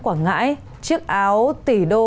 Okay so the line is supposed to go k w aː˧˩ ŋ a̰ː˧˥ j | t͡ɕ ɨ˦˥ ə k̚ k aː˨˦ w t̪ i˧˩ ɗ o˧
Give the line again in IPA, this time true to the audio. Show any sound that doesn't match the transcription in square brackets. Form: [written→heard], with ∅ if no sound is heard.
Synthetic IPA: k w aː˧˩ ŋ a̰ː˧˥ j | t͡ɕ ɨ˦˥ ə k̚ [k→ʔ] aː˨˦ w t̪ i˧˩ ɗ o˧